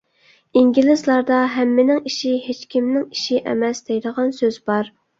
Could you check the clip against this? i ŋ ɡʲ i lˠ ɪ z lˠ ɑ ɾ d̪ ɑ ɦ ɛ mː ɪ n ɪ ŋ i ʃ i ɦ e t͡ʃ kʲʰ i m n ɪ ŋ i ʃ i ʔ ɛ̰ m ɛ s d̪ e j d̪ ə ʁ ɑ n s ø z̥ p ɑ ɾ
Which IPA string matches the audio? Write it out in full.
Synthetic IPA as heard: i ŋ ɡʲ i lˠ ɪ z lˠ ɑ ɾ d̪ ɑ ɦ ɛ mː ɪ n ɪ ŋ i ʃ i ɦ e t͡ʃ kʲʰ i m n ɪ ŋ i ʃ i ʔ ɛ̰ m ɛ s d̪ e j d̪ ə ʁ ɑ n s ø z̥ b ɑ ɾ

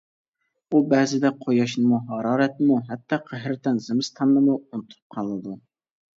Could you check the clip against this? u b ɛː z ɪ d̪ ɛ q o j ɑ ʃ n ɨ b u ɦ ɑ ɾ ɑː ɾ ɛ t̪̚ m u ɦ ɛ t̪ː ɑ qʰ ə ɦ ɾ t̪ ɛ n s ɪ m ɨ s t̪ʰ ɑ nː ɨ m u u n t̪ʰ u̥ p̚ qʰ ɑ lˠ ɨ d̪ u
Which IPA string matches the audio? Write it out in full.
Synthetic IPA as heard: u b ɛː z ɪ d̪ ɛ qʰ o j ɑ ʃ n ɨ m u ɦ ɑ ɾ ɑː ɾ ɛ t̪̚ m u ɦ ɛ t̪ː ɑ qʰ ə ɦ ɾ t̪ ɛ n z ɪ m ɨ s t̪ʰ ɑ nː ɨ m u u n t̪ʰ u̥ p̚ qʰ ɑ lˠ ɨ d̪ u

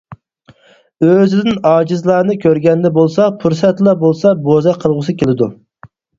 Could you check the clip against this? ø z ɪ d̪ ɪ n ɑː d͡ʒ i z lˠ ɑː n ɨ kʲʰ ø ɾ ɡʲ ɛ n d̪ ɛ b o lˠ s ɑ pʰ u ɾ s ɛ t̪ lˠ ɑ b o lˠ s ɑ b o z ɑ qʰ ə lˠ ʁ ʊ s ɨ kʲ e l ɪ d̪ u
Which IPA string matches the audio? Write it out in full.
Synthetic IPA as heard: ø z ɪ d̪ ɪ n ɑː d͡ʒ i z lˠ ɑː n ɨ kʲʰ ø ɾ ɡʲ ɛ n d̪ ɛ b o lˠ s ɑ pʰ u ɾ s ɛ t̪ lˠ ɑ b o lˠ s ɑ b o z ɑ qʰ ə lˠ ʁ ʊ s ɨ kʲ e l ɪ d̪ u

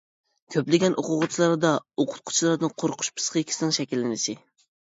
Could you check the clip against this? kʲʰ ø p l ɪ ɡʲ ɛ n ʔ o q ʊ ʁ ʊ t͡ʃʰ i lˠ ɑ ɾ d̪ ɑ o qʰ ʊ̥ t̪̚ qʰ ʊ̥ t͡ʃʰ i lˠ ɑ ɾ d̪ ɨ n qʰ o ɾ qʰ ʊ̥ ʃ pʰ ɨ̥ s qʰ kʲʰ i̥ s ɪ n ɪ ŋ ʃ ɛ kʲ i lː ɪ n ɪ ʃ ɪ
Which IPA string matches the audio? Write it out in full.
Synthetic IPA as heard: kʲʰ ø p l ɪ ɡʲ ɛ n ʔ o q ʊ ʁ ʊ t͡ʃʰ i lˠ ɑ ɾ d̪ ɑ o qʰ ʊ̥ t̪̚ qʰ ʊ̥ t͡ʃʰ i lˠ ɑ ɾ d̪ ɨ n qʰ o ɾ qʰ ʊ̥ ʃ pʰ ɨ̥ s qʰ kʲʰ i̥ s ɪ n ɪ ŋ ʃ ɛ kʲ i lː ɪ n ɪ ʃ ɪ

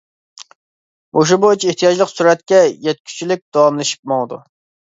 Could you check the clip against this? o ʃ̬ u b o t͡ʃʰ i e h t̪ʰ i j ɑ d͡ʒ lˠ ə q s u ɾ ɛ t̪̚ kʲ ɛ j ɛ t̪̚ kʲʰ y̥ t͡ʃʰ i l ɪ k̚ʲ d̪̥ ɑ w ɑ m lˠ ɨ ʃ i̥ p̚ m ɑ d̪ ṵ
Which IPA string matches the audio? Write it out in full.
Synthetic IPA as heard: o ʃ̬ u b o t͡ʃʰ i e h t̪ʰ i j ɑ d͡ʒ lˠ ə q s u ɾ ɛ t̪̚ kʲ ɛ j ɛ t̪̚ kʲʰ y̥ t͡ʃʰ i l ɪ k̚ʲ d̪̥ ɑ w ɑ m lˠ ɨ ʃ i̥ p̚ m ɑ d̪ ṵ

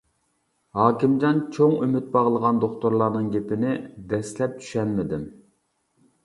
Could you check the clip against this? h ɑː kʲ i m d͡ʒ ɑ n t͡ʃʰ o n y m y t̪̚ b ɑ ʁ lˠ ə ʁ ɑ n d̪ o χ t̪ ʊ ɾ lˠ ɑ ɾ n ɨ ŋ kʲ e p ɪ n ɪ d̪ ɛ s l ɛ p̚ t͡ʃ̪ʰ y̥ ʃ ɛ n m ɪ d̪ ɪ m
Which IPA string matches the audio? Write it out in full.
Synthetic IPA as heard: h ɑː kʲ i m d͡ʒ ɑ n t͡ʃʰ o ŋ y m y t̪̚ b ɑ ʁ lˠ ə ʁ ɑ n d̪ o χ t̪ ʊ ɾ lˠ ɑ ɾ n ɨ ŋ ɡʲ e p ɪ n ɪ d̪ ɛ s l ɛ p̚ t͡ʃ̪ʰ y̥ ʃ ɛ n m ɪ d̪ ɪ m

